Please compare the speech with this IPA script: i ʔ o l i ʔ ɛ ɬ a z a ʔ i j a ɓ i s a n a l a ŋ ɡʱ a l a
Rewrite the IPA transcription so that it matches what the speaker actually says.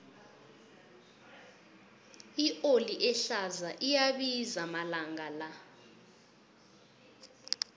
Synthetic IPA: i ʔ o l i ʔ ɛ ɬ a z a ʔ i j a ɓ i z a m a l a ŋ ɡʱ a l a